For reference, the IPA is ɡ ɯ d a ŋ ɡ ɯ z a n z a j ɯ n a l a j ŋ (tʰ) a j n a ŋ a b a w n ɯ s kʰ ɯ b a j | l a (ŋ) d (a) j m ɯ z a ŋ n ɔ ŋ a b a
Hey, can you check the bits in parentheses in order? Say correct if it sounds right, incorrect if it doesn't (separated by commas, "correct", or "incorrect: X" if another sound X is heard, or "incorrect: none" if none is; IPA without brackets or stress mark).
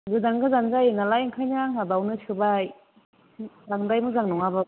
incorrect: kʰ, correct, correct